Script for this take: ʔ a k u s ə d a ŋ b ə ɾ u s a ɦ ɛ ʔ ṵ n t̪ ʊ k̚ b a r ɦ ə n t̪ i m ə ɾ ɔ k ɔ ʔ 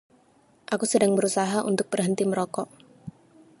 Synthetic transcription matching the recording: ʔ a k u s ə d a ŋ b ə ɾ u s a ɦ a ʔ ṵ n t̪ ʊ k̚ b ə r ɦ ə n t̪ i m ə ɾ ɔ k ɔ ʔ